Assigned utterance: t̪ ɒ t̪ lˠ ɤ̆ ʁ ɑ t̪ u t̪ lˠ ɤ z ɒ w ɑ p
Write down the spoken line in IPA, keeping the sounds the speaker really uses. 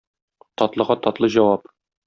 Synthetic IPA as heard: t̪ ɒ t̪ lˠ ɤ̆ ʁ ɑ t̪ ɒ t̪ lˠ ɤ ʑ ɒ w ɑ p